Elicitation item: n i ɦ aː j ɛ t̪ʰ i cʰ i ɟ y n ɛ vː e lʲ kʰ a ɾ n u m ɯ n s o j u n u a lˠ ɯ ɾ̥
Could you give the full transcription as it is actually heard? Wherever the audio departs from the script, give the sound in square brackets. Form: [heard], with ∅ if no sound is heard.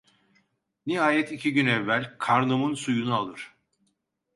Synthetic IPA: n i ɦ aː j ɛ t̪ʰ i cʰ i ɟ y n ɛ vː [æ] lʲ kʰ a ɾ n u m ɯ n s [u] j u n u a lˠ ɯ ɾ̥